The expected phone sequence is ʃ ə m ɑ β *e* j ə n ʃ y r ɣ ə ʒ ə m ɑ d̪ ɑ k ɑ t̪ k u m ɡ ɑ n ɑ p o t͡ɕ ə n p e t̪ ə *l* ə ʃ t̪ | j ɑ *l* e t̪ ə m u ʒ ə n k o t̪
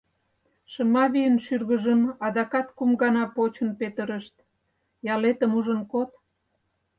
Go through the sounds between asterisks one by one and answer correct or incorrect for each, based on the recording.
incorrect: i, incorrect: ɾ, correct

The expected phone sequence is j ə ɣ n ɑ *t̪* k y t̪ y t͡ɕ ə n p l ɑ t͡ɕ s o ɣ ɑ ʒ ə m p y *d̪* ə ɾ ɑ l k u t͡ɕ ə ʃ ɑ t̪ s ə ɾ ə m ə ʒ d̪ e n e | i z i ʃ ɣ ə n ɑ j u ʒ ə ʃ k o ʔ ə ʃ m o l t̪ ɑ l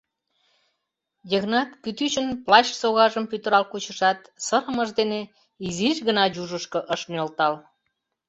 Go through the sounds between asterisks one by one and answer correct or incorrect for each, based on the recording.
correct, incorrect: t̪

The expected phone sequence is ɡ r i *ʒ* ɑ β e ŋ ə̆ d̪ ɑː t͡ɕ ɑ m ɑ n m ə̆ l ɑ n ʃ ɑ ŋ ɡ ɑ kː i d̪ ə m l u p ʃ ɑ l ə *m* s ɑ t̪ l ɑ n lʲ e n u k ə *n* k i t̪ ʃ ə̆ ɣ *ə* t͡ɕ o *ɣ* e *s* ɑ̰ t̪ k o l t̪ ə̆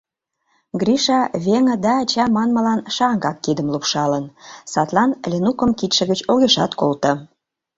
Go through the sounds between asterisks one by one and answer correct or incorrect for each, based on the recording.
incorrect: ʃ, incorrect: n, incorrect: m, correct, correct, incorrect: ʃ

